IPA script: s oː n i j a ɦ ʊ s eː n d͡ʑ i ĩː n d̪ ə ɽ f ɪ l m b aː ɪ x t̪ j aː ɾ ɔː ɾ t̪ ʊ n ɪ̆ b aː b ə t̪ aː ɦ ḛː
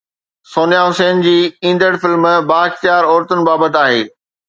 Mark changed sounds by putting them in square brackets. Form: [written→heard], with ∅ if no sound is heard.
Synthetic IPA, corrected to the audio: s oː n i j a ɦ ʊ s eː n d͡ʑ [i→iː] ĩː n d̪ ə ɽ f ɪ l m b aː ɪ x t̪ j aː ɾ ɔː ɾ t̪ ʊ n ɪ̆ b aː b ə t̪ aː ɦ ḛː